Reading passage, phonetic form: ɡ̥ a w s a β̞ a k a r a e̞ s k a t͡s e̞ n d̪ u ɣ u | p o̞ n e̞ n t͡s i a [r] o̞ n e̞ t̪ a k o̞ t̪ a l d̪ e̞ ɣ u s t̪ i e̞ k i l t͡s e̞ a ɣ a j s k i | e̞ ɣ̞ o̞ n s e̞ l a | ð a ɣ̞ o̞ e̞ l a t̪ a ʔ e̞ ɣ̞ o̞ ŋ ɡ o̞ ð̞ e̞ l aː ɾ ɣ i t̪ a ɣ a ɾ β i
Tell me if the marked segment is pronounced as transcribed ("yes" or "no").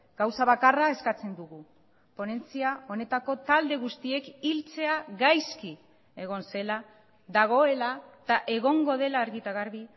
no